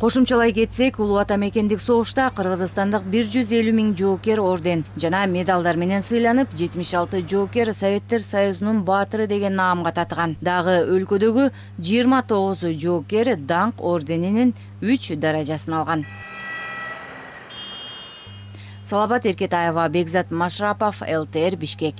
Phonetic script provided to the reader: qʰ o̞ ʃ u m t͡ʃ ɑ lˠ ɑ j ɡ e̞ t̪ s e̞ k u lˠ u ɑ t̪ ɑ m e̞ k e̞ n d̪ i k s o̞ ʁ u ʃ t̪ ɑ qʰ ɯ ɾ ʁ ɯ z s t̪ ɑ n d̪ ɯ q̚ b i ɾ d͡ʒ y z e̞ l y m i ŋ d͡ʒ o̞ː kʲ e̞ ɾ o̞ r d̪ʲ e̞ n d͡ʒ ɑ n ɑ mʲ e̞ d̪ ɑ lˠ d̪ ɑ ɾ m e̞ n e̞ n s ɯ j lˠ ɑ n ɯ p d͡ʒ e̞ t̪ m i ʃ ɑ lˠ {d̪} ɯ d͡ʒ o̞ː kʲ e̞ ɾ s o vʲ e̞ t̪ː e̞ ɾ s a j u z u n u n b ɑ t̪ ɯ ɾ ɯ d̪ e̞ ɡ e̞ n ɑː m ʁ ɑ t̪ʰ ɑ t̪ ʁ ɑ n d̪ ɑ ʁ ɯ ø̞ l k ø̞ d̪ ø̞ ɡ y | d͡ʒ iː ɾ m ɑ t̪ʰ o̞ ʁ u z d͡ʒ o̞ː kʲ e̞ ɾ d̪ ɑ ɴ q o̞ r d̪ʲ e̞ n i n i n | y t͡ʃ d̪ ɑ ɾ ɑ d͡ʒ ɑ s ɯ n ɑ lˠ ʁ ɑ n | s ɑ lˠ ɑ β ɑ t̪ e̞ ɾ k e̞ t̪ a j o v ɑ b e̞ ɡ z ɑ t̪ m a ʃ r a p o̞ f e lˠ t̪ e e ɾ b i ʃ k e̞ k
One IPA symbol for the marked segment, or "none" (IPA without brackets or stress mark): t̪